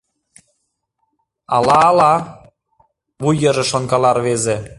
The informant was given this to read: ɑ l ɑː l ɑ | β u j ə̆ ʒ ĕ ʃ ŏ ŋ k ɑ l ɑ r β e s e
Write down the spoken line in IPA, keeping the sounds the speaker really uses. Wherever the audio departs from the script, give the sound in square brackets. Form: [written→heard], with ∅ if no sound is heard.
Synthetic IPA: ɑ l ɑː l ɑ | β u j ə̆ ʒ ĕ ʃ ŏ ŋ k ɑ l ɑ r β e [s→z] e